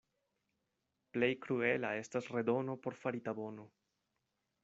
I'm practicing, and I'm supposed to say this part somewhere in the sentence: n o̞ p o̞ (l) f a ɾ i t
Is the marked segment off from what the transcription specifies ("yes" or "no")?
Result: yes